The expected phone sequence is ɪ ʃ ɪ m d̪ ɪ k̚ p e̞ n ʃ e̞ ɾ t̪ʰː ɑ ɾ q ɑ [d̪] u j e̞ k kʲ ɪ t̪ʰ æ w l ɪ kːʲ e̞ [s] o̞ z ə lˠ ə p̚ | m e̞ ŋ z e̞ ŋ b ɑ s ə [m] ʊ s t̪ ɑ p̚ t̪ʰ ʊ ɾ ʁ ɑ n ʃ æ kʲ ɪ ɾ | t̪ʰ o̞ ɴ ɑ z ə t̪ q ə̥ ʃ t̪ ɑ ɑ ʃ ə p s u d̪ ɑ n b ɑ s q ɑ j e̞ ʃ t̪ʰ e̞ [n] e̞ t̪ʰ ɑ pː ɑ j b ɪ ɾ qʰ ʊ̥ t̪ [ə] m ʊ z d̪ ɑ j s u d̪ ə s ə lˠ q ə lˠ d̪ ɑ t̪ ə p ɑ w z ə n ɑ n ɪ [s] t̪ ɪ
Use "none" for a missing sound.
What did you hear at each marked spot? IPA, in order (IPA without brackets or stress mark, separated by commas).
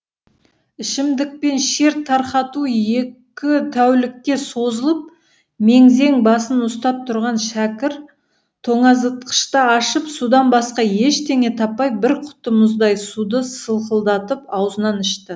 t̪, s, n, ŋ, ə, ʃ